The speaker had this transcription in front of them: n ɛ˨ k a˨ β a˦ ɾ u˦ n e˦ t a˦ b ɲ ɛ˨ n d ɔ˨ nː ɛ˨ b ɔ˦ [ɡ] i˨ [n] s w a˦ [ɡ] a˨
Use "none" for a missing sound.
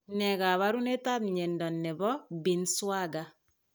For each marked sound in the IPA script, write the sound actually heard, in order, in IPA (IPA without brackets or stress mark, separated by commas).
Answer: b, n, ɡ